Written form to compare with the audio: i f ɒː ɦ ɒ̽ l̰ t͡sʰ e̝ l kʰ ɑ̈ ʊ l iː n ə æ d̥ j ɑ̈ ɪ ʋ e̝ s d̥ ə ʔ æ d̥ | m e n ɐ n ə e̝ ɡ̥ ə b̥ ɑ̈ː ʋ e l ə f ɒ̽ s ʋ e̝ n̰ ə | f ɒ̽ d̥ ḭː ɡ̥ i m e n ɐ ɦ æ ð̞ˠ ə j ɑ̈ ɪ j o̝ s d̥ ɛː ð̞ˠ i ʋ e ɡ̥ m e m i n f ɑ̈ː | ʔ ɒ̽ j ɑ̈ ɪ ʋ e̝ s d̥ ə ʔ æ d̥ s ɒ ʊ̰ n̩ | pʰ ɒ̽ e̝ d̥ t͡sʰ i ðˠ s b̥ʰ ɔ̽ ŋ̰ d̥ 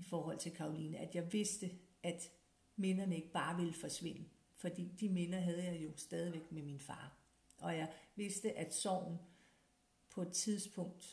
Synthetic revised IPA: i f ɒː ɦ ɒ̽ l̰ t͡sʰ e̝ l kʰ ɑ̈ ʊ l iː n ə æ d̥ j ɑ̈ ɪ ʋ e̝ s d̥ ə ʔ æ d̥ | m e n ɐ n ə e̝ ɡ̥ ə b̥ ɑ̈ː ʋ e l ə f ɒ̽ s ʋ e̝ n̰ ə | f ɒ̽ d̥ ḭː d̥ i m e n ɐ ɦ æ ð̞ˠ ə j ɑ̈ ɪ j o̝ s d̥ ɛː ð̞ˠ i ʋ e ɡ̥ m e m i n f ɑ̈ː | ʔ ɒ̽ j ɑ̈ ɪ ʋ e̝ s d̥ ə ʔ æ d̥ s ɒ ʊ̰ n̩ | pʰ ɒ̽ e̝ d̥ t͡sʰ i ðˠ s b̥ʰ ɔ̽ ŋ̰ d̥